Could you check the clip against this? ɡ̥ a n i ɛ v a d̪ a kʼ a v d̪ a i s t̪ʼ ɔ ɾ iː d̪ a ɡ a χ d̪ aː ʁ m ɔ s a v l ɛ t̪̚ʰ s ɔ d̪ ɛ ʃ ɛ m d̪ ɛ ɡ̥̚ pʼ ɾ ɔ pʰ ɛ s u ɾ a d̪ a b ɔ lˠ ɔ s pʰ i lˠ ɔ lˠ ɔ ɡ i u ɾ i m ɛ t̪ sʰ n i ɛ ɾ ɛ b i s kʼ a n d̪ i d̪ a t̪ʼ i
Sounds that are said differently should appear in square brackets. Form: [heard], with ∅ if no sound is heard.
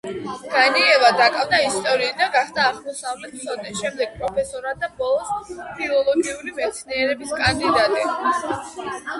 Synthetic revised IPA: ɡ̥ a n i ɛ v a d̪ a kʼ a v d̪ a i s t̪ʼ ɔ ɾ iː d̪ a ɡ a χ d̪ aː ʁ m ɔ s a v l ɛ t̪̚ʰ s ɔ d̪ ɛ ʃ ɛ m d̪ ɛ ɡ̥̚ pʼ ɾ ɔ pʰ ɛ s [ɔ] ɾ a d̪ a b ɔ lˠ ɔ s pʰ i lˠ ɔ lˠ ɔ ɡ i u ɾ i m ɛ t̪ sʰ n i ɛ ɾ ɛ b i s kʼ a n d̪ i d̪ a t̪ʼ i